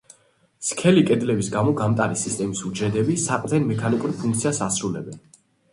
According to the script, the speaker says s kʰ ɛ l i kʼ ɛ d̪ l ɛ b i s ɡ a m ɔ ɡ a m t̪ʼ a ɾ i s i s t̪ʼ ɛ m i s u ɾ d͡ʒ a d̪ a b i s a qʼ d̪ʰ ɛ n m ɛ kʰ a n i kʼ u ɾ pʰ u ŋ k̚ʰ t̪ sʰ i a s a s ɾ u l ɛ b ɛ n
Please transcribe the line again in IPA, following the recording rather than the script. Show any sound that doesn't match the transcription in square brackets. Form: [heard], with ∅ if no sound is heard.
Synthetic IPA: s kʰ ɛ l i kʼ ɛ d̪ l ɛ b i s ɡ a m ɔ ɡ a m t̪ʼ a ɾ i s i s t̪ʼ ɛ m i s u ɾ d͡ʒ [ɛ] d̪ [ɛ] b i s a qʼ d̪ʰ ɛ n m ɛ kʰ a n i kʼ u ɾ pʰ u ŋ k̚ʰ t̪ sʰ i a s a s ɾ u l ɛ b ɛ n